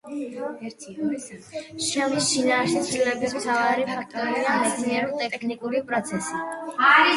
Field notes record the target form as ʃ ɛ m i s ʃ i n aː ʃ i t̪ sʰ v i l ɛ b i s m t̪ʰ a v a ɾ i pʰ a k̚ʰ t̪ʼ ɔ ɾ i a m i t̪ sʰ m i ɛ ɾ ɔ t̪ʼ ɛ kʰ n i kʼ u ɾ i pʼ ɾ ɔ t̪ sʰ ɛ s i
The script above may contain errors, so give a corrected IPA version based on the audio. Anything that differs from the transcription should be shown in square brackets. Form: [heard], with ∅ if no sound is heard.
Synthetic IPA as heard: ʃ ɛ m i s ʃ i n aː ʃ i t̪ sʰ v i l ɛ b i s m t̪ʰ a v a ɾ i pʰ a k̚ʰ t̪ʼ ɔ ɾ i a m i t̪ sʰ [n] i ɛ ɾ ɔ t̪ʼ ɛ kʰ n i kʼ u ɾ i pʼ ɾ ɔ t̪ sʰ ɛ s i